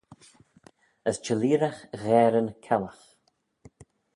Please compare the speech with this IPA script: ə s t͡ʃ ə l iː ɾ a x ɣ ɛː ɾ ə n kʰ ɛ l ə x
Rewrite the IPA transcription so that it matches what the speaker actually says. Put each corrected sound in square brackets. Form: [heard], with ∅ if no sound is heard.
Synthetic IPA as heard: ə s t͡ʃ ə l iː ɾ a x ɣ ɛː ɾ ə n kʰ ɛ l ə x